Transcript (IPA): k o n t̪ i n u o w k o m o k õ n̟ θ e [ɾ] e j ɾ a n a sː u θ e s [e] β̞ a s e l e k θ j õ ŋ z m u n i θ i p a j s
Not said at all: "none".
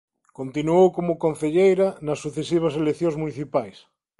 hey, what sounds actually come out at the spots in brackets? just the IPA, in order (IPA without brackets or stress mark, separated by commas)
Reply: ʎ, i